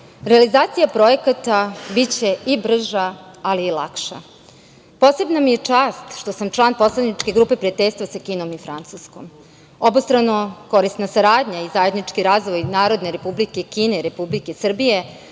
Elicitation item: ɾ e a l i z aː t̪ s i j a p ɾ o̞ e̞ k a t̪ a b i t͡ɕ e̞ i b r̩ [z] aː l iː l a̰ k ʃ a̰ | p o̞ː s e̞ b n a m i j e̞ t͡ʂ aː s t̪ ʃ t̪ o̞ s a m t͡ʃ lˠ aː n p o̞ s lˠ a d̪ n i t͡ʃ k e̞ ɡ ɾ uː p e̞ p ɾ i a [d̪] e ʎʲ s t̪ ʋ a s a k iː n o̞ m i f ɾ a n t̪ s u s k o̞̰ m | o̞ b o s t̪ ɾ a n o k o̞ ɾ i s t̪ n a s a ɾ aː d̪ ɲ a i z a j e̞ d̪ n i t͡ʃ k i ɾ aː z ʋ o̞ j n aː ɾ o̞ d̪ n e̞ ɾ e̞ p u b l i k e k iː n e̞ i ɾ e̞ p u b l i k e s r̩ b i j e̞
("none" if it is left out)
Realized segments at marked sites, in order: ʒ, t̪

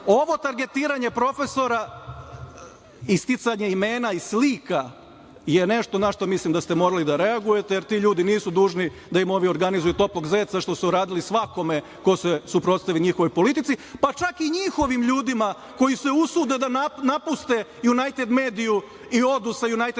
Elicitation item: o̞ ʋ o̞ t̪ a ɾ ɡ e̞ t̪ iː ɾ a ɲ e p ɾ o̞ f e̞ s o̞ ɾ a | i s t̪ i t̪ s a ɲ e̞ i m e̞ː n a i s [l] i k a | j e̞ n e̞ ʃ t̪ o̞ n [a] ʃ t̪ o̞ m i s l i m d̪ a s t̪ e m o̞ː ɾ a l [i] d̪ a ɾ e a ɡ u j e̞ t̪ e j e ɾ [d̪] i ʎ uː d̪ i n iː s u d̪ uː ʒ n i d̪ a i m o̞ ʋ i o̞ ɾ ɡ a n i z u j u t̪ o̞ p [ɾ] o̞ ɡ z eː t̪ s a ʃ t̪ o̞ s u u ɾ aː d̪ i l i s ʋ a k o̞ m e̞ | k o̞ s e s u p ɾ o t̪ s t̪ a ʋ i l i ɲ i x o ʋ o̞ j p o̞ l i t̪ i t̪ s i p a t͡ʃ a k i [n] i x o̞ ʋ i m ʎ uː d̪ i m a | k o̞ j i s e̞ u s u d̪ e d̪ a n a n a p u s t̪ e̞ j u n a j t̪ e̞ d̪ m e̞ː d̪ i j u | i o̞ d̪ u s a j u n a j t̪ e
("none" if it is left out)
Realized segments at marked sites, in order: l, a, i, t̪, l, ɲ

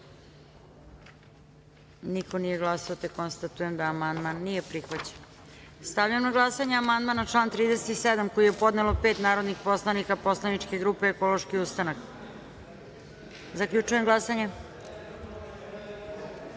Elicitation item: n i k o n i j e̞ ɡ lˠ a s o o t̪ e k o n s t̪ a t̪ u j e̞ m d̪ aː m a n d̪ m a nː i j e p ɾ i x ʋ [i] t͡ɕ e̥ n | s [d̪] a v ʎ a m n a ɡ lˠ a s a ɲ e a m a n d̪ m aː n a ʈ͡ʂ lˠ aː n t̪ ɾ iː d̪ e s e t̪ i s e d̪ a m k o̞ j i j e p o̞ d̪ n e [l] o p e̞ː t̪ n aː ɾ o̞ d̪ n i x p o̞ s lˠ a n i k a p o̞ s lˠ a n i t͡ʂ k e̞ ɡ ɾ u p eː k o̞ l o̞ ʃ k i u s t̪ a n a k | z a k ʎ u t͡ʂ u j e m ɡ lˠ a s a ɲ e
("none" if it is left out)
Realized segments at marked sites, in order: a, t̪, l

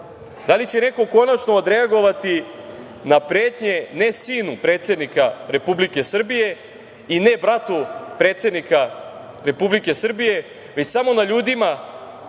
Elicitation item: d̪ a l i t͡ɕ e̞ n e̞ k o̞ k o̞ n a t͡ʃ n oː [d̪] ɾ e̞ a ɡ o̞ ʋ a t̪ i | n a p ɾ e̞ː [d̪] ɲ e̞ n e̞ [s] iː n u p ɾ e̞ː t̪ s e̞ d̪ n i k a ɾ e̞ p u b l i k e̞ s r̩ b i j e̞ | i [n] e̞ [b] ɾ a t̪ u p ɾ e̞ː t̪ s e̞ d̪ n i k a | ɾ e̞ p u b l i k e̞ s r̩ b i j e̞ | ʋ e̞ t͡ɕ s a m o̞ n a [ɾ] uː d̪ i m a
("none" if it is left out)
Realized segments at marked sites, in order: d̪, t̪, s, n, b, ʎ

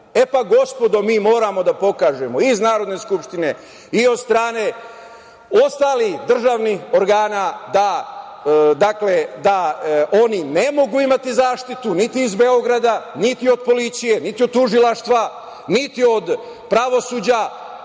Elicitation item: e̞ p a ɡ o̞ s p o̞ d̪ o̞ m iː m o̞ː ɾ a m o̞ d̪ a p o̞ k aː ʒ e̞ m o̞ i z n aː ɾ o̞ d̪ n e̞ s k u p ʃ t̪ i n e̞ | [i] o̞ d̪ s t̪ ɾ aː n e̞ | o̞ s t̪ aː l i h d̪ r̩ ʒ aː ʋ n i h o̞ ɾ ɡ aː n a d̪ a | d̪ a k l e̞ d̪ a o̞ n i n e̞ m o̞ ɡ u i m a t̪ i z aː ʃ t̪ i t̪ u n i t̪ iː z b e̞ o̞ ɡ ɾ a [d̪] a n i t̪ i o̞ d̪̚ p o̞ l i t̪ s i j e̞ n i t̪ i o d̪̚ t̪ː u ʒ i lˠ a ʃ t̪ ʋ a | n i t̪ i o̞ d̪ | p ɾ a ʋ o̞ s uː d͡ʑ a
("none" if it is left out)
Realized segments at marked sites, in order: i, d̪

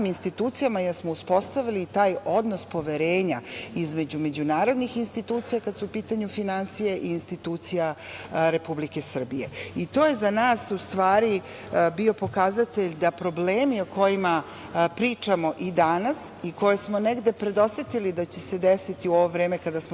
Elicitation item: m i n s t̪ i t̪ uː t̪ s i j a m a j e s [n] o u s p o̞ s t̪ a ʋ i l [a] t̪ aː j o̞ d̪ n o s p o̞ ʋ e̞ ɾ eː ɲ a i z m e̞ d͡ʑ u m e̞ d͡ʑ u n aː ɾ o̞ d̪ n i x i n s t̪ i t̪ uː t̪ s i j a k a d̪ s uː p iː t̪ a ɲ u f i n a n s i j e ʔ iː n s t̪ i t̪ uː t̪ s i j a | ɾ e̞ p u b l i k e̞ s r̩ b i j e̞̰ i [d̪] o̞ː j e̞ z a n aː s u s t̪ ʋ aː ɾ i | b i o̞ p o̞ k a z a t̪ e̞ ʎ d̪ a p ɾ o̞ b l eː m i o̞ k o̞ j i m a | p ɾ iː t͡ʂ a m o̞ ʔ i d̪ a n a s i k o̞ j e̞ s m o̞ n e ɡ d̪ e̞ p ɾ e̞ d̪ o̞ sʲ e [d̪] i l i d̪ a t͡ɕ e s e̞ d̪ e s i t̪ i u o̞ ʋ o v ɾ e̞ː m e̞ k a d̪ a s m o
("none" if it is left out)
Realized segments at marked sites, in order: m, i, t̪, t̪

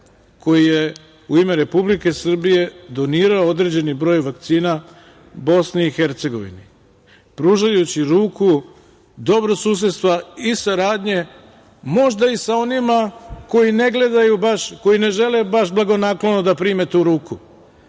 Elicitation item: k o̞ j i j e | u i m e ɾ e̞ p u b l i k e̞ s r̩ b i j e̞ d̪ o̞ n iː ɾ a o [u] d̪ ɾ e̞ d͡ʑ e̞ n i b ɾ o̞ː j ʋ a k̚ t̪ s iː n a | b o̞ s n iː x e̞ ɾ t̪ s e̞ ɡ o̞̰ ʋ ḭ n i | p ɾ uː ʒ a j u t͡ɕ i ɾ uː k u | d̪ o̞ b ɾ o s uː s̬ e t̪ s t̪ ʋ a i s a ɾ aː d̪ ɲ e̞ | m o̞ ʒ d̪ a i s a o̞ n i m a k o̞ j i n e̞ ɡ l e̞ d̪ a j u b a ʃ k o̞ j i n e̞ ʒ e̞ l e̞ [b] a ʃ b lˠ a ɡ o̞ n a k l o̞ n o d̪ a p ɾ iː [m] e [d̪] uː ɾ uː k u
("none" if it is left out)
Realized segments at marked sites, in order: o, b, m, t̪

